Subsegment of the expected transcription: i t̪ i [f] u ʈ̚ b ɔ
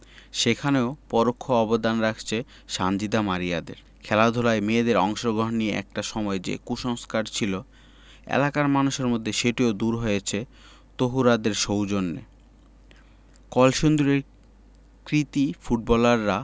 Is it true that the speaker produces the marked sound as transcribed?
yes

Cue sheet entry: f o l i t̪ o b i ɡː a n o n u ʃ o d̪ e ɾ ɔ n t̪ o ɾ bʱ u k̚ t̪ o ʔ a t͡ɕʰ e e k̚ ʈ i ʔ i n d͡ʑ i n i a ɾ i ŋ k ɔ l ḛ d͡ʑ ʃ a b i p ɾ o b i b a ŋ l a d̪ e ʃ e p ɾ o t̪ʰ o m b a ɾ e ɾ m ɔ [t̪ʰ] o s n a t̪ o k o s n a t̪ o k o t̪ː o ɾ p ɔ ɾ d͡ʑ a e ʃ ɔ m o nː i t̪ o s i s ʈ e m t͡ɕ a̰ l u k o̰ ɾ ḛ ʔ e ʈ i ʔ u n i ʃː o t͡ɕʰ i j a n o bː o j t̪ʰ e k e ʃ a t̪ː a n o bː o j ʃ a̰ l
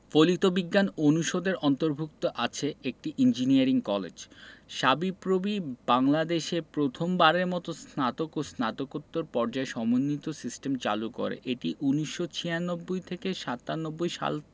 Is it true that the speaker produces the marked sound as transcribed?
no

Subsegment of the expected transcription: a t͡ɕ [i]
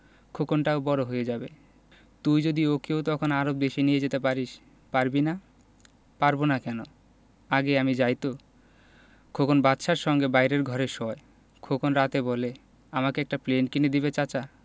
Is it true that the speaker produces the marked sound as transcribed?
no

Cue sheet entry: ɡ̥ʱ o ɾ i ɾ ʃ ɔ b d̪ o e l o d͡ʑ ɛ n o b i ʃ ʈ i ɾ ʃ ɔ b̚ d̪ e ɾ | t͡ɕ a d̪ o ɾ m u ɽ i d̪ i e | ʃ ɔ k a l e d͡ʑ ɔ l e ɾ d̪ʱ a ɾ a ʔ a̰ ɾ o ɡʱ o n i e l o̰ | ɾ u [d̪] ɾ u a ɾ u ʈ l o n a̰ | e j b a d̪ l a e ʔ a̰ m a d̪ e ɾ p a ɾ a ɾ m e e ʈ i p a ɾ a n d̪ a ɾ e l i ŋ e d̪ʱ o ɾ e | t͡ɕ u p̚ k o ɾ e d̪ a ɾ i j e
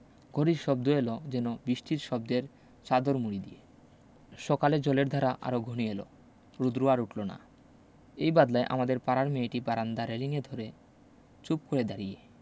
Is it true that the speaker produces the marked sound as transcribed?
yes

